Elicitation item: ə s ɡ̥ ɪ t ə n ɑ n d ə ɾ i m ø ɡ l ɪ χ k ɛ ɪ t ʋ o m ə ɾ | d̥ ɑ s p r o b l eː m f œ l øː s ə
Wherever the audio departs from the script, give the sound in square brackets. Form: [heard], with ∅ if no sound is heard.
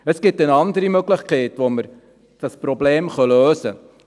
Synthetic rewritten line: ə s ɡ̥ ɪ t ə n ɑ n d ə ɾ i m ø ɡ l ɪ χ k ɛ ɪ t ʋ o m ə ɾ | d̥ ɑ s p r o b l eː m [χ] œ l øː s ə